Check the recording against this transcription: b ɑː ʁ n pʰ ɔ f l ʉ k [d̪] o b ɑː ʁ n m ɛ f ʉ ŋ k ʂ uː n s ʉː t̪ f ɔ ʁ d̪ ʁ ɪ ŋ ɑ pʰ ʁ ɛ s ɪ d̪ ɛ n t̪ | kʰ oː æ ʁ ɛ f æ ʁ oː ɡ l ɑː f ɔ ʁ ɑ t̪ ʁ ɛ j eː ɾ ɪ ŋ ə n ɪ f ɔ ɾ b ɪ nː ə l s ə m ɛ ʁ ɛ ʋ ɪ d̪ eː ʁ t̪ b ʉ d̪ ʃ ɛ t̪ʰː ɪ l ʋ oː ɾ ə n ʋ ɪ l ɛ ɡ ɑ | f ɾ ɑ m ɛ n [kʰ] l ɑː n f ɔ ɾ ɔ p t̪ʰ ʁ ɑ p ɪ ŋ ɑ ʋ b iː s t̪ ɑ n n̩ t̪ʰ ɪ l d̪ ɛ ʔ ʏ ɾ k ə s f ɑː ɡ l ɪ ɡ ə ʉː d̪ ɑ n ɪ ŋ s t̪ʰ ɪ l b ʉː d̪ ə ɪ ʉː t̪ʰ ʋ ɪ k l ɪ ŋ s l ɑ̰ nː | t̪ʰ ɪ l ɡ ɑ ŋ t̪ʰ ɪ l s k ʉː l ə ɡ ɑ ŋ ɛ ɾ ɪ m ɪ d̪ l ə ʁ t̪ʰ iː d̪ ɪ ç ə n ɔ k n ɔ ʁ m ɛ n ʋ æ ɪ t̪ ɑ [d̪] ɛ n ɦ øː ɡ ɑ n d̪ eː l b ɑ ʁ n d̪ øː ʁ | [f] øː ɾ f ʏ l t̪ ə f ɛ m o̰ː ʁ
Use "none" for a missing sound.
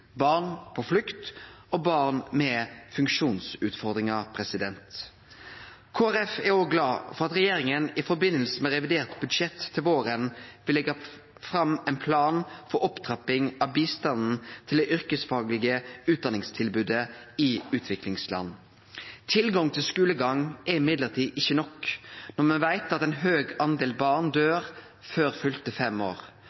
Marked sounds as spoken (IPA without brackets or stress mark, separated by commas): t̪, pʰ, t̪, f